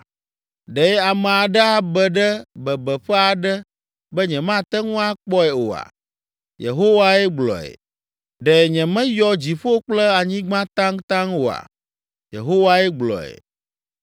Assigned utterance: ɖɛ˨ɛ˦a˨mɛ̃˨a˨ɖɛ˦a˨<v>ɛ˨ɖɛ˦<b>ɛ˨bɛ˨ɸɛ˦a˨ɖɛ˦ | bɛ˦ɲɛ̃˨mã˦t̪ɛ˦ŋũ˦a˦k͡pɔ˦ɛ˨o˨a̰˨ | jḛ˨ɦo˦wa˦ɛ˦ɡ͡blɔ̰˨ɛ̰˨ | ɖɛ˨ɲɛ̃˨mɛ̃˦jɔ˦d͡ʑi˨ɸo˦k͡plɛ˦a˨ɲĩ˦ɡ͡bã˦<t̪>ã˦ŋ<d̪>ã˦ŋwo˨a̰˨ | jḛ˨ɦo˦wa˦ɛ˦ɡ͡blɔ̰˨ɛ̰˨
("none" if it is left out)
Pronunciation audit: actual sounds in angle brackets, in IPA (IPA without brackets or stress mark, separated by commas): b, b, t̪, t̪